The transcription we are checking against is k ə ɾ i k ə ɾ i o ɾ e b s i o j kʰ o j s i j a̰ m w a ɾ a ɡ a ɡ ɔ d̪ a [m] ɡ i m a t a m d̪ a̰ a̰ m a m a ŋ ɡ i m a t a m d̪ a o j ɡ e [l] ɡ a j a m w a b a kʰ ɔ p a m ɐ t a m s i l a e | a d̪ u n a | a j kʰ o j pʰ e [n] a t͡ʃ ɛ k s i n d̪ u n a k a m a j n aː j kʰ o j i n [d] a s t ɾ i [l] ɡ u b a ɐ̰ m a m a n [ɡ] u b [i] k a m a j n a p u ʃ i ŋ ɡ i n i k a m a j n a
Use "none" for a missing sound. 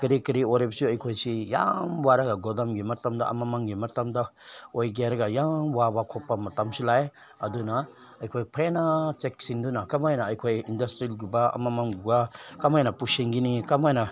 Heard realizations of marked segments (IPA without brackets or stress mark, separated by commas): m, ɾ, n, d, l, ɡ, a